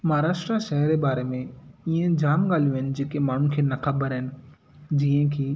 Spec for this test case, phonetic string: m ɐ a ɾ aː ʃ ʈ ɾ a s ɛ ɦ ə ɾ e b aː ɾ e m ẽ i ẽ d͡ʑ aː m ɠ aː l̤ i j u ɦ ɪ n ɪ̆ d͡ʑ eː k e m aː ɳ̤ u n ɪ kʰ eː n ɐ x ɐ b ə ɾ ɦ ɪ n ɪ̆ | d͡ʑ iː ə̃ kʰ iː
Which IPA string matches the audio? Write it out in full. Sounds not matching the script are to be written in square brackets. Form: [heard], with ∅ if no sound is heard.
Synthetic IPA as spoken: m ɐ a ɾ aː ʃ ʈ ɾ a [ʃ] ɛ ɦ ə ɾ e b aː ɾ e m ẽ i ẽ d͡ʑ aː m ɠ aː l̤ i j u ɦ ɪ n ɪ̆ d͡ʑ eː k e m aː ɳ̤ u n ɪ kʰ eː n ɐ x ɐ b ə ɾ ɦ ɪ n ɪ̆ | d͡ʑ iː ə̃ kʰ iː